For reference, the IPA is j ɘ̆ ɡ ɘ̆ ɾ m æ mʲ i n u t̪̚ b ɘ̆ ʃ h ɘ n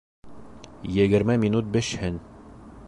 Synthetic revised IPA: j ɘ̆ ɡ ɘ̆ ɾ m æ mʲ i n u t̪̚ b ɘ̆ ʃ h ɘ n